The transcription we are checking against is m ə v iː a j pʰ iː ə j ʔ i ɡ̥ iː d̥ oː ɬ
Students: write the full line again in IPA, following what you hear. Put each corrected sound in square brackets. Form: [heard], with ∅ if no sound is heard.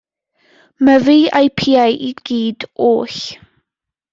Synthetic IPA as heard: m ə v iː a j pʰ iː [a] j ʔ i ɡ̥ iː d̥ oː ɬ